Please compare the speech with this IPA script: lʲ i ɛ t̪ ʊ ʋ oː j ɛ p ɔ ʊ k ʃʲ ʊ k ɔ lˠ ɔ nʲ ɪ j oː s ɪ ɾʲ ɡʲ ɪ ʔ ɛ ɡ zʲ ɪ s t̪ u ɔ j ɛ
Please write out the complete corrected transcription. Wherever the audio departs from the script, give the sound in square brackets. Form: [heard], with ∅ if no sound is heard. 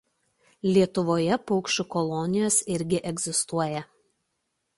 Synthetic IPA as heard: lʲ i ɛ t̪ ʊ ʋ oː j ɛ p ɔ ʊ k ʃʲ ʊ k ɔ lˠ ɔ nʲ ɪ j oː s ɪ ɾʲ ɡʲ ɪ ʔ ɛ ɡ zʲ ɪ s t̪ u ɔ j ɛ